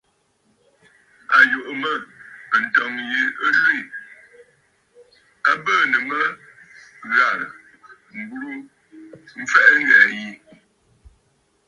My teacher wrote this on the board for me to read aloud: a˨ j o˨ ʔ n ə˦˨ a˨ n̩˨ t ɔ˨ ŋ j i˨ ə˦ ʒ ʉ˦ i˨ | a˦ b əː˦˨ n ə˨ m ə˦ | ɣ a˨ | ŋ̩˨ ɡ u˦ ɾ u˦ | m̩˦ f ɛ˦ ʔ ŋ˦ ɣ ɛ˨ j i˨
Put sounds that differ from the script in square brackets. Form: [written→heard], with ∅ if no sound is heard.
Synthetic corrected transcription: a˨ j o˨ ʔ [n→m] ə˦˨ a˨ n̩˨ t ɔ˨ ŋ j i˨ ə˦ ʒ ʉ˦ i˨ | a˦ b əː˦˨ n ə˨ m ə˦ | ɣ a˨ | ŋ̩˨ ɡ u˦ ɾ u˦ | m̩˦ f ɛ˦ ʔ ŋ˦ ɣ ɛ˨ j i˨